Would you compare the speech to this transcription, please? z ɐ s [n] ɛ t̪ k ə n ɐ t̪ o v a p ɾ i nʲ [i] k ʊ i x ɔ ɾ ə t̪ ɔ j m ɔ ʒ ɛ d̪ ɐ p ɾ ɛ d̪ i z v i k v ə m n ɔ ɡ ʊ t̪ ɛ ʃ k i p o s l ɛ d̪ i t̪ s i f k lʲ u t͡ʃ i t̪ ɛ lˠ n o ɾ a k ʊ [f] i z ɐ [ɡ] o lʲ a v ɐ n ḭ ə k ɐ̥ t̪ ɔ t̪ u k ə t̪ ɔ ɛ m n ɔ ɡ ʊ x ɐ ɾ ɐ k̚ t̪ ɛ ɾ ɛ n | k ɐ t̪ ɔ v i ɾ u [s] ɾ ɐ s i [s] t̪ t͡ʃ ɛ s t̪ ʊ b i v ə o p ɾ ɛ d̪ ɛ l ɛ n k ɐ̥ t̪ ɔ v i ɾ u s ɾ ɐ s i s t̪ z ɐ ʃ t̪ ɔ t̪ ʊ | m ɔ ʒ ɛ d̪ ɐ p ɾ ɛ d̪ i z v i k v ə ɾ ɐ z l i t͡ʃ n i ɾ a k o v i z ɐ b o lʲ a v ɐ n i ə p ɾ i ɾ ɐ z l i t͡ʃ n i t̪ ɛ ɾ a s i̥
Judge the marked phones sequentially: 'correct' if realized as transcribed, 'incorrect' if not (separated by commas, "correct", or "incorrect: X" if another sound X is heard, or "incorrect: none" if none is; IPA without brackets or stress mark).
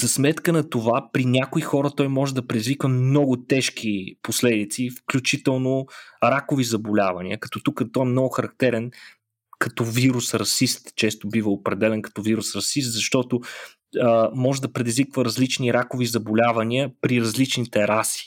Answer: incorrect: m, incorrect: a, incorrect: v, incorrect: b, correct, correct